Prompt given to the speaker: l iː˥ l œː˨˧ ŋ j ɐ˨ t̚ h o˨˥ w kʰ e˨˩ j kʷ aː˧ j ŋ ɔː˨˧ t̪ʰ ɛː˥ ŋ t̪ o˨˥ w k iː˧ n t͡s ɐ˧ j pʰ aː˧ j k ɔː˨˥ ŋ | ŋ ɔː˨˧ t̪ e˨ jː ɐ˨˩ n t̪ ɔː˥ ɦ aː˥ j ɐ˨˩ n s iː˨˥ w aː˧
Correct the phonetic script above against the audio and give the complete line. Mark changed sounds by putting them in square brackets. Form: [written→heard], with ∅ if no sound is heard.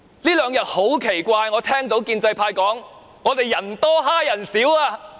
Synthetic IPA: l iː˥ l œː˨˧ ŋ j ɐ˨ t̚ h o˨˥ w kʰ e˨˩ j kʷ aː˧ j ŋ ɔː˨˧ t̪ʰ ɛː˥ ŋ t̪ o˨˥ w k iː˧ n t͡s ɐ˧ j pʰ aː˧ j k ɔː˨˥ ŋ | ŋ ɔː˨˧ t̪ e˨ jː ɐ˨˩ n t̪ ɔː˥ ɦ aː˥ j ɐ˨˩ n s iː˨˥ w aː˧